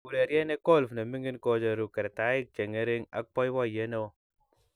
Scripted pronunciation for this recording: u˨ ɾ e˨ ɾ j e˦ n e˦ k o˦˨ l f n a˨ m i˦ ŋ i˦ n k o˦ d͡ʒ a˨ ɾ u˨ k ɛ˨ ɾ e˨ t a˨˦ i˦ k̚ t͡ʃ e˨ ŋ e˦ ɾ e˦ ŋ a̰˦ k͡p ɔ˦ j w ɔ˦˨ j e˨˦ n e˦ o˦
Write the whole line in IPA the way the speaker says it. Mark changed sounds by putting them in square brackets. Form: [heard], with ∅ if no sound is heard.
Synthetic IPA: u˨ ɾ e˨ ɾ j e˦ n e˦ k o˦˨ l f n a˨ m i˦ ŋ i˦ n k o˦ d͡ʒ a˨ ɾ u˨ k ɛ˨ ɾ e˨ t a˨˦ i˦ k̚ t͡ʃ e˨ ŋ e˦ ɾ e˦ ŋ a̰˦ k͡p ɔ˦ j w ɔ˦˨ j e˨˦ n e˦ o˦